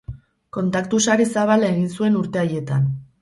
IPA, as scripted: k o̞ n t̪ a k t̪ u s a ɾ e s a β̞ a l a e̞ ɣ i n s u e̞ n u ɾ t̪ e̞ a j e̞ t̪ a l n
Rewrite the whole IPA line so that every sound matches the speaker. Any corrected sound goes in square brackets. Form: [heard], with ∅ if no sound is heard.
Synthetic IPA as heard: k o̞ n t̪ a k t̪ u s a ɾ e s a β̞ a l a e̞ ɣ i n s u e̞ n u ɾ t̪ e̞ a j e̞ t̪ a [∅] n

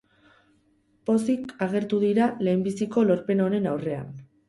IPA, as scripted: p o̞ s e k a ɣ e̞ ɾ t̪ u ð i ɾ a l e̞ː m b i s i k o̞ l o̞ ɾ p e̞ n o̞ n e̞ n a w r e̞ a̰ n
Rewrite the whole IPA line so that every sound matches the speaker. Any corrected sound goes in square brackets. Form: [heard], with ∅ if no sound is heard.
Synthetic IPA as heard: p o̞ s [i] k a ɣ e̞ ɾ t̪ u ð i ɾ a l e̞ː m b i s i k o̞ l o̞ ɾ p e̞ n o̞ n e̞ n a w r e̞ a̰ n

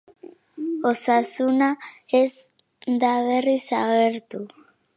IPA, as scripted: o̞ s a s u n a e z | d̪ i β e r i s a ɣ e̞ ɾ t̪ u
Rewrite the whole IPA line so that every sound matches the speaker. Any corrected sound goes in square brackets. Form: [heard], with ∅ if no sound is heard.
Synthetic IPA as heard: o̞ s a s u n a e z | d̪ [a] β e r i s a ɣ e̞ ɾ t̪ u

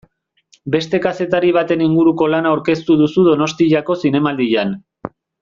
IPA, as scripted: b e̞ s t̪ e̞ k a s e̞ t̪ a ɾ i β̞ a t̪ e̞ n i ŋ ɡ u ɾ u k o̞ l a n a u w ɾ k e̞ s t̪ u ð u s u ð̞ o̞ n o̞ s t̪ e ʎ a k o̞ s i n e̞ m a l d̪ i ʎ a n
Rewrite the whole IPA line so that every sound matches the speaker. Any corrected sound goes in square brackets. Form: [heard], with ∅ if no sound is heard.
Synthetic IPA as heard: b e̞ s t̪ e̞ k a s e̞ t̪ a ɾ i β̞ a t̪ e̞ n i ŋ ɡ u ɾ u k o̞ l a n a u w ɾ k e̞ s t̪ u ð u s u ð̞ o̞ n o̞ s t̪ [i] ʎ a k o̞ s i n e̞ m a l d̪ i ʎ a n

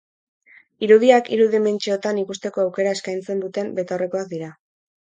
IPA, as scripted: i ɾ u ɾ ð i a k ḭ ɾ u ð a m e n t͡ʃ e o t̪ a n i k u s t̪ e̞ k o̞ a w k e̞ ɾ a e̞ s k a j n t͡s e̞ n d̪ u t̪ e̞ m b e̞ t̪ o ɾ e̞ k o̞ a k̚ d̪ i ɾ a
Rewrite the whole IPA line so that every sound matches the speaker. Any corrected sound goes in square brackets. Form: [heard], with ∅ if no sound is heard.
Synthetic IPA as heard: i ɾ u [∅] ð i a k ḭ ɾ u ð [i] m e n t͡ʃ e o t̪ a n i k u s t̪ e̞ k o̞ a w k e̞ ɾ a e̞ s k a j n t͡s e̞ n d̪ u t̪ e̞ m b e̞ t̪ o [r] e̞ k o̞ a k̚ d̪ i ɾ a

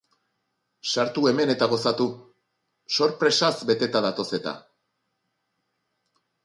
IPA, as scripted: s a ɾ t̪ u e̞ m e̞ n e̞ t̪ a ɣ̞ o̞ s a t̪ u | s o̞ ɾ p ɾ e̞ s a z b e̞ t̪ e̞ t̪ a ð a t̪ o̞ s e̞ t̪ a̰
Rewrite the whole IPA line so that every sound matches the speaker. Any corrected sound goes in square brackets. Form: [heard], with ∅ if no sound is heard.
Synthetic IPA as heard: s a ɾ t̪ u e̞ m e̞ n e̞ t̪ a ɣ̞ o̞ s a t̪ u | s o̞ ɾ p ɾ e̞ s a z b e̞ t̪ e̞ t̪ a ð a t̪ o̞ s e̞ t̪ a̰

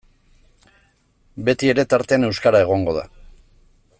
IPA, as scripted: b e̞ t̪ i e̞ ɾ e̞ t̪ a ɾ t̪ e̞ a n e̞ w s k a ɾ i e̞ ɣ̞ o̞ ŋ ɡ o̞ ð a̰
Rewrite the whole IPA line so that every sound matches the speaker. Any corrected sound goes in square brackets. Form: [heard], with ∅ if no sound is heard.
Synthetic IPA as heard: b e̞ t̪ i e̞ ɾ e̞ t̪ a ɾ t̪ e̞ a n e̞ w s k a ɾ [a] e̞ ɣ̞ o̞ ŋ ɡ o̞ ð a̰

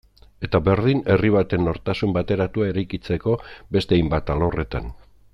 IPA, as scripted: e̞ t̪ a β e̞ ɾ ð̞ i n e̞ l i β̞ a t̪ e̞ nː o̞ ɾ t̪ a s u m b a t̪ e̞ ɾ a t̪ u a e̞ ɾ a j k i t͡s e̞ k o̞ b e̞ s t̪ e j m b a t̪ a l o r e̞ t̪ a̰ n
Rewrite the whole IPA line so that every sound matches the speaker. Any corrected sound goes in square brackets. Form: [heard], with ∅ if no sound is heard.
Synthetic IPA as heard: e̞ t̪ a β e̞ ɾ ð̞ i n e̞ [r] i β̞ a t̪ e̞ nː o̞ ɾ t̪ a s u m b a t̪ e̞ ɾ a t̪ u a e̞ ɾ a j k i t͡s e̞ k o̞ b e̞ s t̪ e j m b a t̪ a l o r e̞ t̪ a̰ n

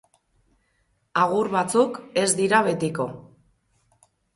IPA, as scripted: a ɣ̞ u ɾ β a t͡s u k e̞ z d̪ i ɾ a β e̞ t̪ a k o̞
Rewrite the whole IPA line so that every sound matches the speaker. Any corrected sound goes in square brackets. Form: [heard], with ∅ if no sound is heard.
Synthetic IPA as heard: a ɣ̞ u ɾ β a t͡s u k e̞ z d̪ i ɾ a β e̞ t̪ [i] k o̞

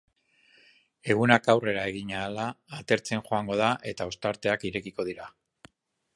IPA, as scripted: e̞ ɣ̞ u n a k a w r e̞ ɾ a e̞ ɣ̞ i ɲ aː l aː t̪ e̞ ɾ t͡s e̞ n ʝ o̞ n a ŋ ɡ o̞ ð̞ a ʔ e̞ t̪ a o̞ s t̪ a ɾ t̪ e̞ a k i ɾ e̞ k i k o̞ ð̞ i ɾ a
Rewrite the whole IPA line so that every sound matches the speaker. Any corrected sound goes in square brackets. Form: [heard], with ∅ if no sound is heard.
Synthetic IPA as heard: e̞ ɣ̞ u n a k a w r e̞ ɾ a e̞ ɣ̞ i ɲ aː l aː t̪ e̞ ɾ t͡s e̞ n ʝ o̞ [∅] a ŋ ɡ o̞ ð̞ a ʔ e̞ t̪ a o̞ s t̪ a ɾ t̪ e̞ a k i ɾ e̞ k i k o̞ ð̞ i ɾ a

